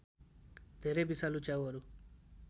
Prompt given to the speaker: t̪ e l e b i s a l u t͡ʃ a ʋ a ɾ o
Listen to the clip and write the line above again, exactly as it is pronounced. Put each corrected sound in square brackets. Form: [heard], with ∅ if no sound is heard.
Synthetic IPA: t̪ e [ɾ] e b i s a l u t͡ʃ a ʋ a ɾ [u]